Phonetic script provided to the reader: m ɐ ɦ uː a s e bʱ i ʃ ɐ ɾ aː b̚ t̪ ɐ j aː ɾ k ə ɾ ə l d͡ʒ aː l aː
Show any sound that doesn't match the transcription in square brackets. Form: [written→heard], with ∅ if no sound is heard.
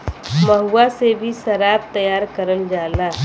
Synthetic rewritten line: m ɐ ɦ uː a s e bʱ i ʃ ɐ ɾ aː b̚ t̪ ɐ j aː ɾ k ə ɾ ə l d͡ʒ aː l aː